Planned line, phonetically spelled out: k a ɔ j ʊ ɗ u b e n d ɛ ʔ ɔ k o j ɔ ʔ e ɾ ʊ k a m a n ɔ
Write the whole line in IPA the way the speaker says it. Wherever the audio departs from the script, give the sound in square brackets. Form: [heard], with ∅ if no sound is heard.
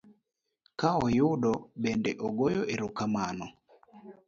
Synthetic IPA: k a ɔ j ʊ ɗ [ɔ] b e n d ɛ ʔ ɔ [ɡ] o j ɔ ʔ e ɾ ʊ k a m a n ɔ